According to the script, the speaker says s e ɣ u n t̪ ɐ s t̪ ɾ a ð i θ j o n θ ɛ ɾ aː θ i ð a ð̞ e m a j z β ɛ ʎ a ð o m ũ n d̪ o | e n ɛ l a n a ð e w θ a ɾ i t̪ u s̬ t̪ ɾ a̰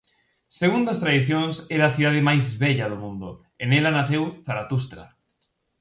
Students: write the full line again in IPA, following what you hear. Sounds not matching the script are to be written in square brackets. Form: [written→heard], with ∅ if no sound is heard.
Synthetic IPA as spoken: s e ɣ u n [t̪→d̪] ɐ s t̪ ɾ a ð i θ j o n [θ→s] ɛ ɾ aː θ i ð a ð̞ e m a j z β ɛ ʎ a ð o m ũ n d̪ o | e n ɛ l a n a [ð→θ] e w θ a ɾ [i→a] t̪ u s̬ t̪ ɾ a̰